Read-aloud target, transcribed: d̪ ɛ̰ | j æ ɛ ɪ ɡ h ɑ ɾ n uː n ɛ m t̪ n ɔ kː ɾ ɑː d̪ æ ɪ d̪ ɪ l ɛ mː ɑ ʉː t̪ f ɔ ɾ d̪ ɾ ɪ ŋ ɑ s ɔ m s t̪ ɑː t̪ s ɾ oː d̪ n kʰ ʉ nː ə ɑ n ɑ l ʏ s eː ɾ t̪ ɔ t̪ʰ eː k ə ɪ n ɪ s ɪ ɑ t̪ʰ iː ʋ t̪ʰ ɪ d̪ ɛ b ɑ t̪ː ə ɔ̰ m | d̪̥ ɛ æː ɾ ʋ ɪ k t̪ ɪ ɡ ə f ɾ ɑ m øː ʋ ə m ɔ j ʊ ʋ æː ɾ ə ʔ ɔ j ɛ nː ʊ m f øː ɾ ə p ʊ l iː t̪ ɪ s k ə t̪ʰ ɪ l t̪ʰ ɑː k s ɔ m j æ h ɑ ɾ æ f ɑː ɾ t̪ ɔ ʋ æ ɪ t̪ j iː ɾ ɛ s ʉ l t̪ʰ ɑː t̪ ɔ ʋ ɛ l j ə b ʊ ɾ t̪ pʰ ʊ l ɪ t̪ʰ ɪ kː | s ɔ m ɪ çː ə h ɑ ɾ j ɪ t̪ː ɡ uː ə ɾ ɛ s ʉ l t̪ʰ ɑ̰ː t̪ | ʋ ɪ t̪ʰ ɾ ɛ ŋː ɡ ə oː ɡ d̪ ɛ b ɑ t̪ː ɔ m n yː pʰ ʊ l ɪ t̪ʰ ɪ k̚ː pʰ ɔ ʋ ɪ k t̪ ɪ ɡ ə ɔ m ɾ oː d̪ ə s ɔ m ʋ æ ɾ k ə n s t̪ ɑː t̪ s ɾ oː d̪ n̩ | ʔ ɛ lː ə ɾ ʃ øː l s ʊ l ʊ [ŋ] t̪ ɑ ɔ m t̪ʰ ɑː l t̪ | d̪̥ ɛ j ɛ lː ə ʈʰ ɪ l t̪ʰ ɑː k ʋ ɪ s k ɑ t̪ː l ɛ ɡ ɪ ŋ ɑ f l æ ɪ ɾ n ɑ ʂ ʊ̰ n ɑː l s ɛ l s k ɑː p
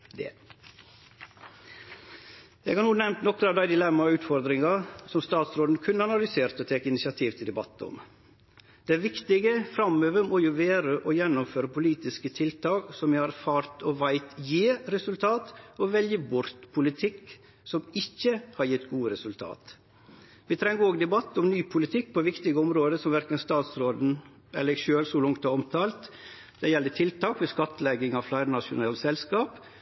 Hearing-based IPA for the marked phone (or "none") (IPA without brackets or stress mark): ŋ